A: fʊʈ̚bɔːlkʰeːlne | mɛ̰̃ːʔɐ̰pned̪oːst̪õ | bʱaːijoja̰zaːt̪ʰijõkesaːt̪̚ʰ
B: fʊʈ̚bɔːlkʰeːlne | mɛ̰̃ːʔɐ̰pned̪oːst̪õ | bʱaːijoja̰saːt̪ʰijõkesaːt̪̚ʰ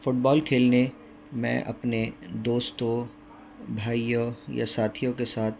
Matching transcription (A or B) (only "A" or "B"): B